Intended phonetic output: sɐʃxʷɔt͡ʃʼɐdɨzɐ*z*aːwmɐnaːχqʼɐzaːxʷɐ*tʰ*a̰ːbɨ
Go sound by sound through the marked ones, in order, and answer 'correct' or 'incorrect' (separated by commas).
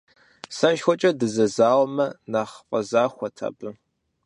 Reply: correct, correct